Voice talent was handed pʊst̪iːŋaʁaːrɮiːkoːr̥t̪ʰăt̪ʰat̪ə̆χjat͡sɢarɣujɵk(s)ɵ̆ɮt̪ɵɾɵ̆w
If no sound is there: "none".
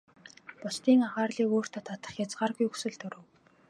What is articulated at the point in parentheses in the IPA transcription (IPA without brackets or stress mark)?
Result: s